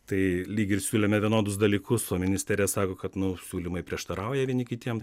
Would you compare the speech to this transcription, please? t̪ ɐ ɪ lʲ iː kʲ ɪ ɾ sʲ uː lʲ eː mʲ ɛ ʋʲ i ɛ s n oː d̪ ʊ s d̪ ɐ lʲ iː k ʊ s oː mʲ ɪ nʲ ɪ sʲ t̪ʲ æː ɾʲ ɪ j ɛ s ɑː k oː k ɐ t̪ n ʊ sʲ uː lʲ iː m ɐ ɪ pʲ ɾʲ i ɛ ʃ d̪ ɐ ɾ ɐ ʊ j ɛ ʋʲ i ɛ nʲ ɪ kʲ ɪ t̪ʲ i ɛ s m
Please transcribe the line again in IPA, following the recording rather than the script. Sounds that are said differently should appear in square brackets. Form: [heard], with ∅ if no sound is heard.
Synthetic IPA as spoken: t̪ ɐ ɪ lʲ iː [ɡʲ] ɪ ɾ sʲ uː lʲ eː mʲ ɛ ʋʲ i ɛ [∅] n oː d̪ ʊ s d̪ ɐ lʲ iː k ʊ s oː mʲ ɪ nʲ ɪ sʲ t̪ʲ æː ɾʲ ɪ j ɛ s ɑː k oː k ɐ t̪ n ʊ sʲ uː lʲ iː m ɐ ɪ pʲ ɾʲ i ɛ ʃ [t̪] ɐ ɾ ɐ ʊ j ɛ ʋʲ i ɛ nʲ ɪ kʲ ɪ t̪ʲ i ɛ [∅] m